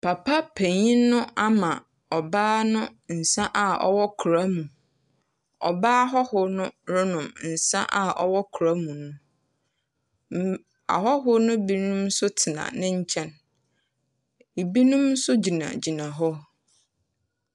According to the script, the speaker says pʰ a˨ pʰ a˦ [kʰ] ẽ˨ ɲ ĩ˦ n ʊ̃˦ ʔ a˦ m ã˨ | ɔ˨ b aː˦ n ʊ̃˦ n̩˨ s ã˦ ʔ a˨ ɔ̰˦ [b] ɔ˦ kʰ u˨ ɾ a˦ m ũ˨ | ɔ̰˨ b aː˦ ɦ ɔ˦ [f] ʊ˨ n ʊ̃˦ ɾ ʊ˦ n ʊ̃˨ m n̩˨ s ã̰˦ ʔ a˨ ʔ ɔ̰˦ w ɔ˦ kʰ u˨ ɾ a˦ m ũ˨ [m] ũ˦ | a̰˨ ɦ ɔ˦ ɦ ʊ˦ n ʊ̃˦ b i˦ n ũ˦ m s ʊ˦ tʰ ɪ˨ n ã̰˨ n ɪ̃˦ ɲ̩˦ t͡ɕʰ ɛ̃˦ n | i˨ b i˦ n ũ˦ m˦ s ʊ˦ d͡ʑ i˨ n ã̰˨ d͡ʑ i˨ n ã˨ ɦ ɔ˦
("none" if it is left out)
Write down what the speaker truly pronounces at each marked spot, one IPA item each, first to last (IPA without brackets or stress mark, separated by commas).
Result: pʰ, w, h, n